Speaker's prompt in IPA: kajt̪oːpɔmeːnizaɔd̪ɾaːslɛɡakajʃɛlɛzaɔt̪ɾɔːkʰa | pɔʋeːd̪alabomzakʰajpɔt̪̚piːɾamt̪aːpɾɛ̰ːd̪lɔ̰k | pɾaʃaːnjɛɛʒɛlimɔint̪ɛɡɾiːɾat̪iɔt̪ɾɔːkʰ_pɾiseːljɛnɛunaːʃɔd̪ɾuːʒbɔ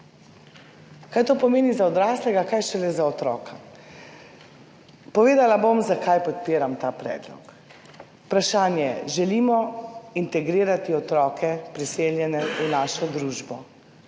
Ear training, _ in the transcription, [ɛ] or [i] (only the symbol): ɛ